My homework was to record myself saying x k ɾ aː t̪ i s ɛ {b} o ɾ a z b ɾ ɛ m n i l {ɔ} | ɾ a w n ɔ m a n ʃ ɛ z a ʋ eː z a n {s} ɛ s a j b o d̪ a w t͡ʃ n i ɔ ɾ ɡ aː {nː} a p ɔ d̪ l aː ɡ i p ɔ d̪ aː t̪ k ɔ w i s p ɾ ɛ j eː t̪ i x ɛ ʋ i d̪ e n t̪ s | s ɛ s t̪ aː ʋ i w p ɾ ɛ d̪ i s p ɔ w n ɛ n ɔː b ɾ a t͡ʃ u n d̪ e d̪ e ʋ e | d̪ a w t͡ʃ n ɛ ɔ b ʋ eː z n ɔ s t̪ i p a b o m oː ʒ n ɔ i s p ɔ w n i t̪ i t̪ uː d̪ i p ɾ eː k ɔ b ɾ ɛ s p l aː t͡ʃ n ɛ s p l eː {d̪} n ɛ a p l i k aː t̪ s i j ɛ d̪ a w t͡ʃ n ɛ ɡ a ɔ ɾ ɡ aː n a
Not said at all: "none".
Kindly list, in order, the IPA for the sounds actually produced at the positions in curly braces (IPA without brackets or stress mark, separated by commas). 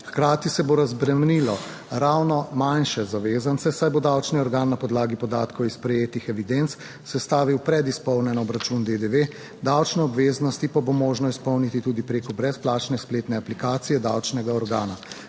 b, ɔ, s, nː, t̪